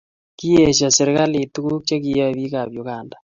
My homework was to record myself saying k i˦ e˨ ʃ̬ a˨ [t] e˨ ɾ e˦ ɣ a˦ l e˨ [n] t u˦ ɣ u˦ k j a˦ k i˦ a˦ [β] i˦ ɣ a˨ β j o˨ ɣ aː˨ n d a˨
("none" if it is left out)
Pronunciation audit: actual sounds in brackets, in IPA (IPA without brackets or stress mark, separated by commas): s, none, β